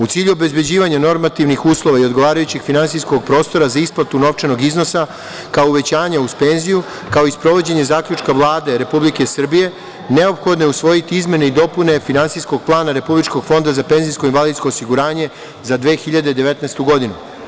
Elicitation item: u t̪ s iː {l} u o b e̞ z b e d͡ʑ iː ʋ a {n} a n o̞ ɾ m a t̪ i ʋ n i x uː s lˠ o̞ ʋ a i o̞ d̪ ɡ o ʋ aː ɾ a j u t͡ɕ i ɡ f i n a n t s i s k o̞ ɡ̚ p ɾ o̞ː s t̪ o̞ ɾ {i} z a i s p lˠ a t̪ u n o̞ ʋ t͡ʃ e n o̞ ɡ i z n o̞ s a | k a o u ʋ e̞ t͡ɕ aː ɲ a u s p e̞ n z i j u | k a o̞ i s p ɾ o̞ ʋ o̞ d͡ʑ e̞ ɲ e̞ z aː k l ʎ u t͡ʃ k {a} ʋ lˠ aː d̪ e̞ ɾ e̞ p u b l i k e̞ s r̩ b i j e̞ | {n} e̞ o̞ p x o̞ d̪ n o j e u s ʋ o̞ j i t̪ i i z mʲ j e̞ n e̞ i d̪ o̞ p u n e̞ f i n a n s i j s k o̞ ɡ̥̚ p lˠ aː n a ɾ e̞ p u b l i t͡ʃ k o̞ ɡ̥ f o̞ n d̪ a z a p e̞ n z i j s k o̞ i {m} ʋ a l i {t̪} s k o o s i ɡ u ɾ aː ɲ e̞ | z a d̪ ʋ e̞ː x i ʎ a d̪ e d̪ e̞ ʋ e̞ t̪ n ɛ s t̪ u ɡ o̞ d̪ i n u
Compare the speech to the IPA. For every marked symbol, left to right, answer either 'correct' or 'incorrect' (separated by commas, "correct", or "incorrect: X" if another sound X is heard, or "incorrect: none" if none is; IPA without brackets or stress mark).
incorrect: ʎ, incorrect: ɲ, incorrect: a, correct, correct, incorrect: n, incorrect: d̪